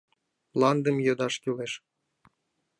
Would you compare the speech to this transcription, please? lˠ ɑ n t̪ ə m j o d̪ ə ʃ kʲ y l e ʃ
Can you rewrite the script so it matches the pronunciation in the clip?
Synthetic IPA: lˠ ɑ n d̪ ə m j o d̪ ɑ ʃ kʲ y l e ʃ

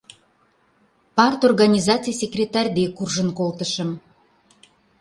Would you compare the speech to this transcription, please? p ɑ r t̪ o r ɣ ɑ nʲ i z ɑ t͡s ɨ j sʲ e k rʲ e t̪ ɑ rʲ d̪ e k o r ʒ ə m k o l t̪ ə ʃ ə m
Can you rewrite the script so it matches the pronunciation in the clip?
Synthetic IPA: p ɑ r t̪ o r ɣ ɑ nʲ i z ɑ t͡s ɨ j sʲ e k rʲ e t̪ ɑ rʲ d̪ e k u r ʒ ə n k o l t̪ ə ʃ ə m

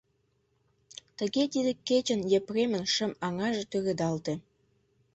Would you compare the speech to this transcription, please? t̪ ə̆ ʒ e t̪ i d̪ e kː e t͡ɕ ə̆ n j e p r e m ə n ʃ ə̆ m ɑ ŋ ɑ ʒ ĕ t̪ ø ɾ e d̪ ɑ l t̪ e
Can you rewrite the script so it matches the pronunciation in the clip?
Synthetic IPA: t̪ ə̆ ɣ e t̪ i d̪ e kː e t͡ɕ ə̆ n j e p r e m ə n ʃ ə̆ m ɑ ŋ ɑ ʒ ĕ t̪ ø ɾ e d̪ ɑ l t̪ e

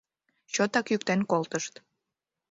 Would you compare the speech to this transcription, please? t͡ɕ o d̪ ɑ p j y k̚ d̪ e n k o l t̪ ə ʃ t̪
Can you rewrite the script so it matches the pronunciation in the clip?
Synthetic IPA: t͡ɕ o t̪ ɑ k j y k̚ t̪ e n k o l t̪ ə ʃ t̪

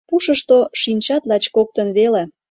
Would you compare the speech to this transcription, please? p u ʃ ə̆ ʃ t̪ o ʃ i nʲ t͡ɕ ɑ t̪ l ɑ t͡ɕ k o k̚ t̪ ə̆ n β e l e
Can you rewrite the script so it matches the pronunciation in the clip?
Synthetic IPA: p u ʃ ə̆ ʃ t̪ o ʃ i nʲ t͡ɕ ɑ t̪ l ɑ t͡ɕ k o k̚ t̪ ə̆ n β e l e

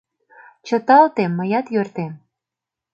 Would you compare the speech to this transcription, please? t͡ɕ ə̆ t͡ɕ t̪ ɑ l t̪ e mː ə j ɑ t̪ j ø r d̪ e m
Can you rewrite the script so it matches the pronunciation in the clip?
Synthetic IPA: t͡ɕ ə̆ t̪ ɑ l t̪ e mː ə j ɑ t̪ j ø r t̪ e m

